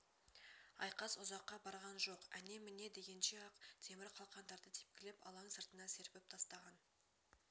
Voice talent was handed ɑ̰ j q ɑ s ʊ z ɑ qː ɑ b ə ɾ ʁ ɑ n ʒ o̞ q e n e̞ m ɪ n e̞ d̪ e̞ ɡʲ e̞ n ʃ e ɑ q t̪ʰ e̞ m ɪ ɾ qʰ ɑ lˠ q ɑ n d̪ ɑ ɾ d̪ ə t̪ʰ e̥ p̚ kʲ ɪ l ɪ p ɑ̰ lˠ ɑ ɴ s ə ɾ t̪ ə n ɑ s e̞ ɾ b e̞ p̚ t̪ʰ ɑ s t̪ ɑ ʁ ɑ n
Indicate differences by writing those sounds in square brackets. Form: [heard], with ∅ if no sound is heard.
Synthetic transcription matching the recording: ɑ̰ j q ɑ s ʊ z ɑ qː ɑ b [ɑ] ɾ ʁ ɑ n ʒ o̞ q [æ] n e̞ m ɪ n e̞ d̪ e̞ ɡʲ e̞ n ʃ e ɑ q t̪ʰ e̞ m ɪ ɾ qʰ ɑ lˠ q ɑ n d̪ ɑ ɾ d̪ ə t̪ʰ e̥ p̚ kʲ ɪ l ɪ p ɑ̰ lˠ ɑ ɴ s ə ɾ t̪ ə n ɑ s e̞ ɾ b e̞ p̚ t̪ʰ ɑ s t̪ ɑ ʁ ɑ n